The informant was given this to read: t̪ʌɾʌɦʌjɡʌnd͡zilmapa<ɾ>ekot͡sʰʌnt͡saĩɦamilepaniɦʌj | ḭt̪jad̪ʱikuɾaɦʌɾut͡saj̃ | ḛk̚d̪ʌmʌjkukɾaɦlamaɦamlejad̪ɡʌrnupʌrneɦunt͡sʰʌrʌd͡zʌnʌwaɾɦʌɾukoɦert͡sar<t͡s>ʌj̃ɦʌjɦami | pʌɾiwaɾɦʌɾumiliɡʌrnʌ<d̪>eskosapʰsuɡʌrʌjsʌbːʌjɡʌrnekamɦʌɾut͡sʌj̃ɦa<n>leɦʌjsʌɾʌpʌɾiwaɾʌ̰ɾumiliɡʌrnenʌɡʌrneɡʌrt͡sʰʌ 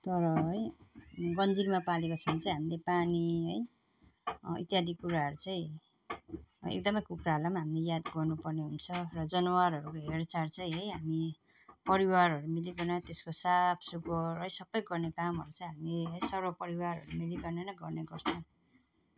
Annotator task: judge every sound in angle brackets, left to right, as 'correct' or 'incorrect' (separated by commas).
incorrect, correct, incorrect, incorrect